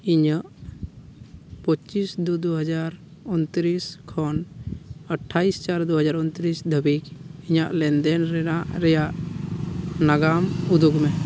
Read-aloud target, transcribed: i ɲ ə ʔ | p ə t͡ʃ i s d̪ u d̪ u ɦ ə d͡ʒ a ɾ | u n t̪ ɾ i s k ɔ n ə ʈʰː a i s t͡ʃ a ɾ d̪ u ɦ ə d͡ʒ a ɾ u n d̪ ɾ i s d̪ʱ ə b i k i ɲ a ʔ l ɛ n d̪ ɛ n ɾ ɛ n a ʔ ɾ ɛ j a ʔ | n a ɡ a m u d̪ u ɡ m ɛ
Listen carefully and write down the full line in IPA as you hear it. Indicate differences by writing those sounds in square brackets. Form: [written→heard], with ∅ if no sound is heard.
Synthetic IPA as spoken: i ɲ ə ʔ | p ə t͡ʃ i s d̪ u d̪ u ɦ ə d͡ʒ a ɾ | u n t̪ ɾ i s [k→kʰ] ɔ n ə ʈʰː a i s t͡ʃ a ɾ d̪ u ɦ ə d͡ʒ a ɾ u n [d̪→t̪] ɾ i s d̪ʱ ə b i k i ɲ a ʔ l ɛ n d̪ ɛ n ɾ ɛ n a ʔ ɾ ɛ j a ʔ | n a ɡ a m u d̪ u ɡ m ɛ